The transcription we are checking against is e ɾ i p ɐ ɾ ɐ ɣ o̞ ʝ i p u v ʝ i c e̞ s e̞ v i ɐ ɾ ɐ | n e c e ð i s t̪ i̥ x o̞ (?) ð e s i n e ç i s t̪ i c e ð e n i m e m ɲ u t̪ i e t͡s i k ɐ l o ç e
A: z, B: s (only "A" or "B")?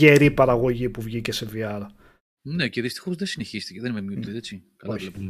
A